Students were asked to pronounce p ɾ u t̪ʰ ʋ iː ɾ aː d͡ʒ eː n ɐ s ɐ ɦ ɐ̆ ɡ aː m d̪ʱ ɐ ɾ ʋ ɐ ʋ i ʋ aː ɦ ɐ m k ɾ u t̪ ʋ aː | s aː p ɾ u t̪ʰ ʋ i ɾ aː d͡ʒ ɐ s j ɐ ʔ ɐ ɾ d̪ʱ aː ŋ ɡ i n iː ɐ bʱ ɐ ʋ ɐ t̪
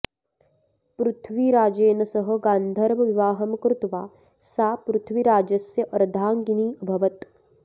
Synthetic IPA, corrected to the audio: p ɾ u t̪ʰ ʋ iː ɾ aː d͡ʒ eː n ɐ s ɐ ɦ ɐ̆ ɡ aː n d̪ʱ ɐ ɾ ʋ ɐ ʋ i ʋ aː ɦ ɐ m k ɾ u t̪ ʋ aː | s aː p ɾ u t̪ʰ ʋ i ɾ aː d͡ʒ ɐ s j ɐ ʔ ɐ ɾ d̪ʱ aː ŋ ɡ i n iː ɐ bʱ ɐ ʋ ɐ t̪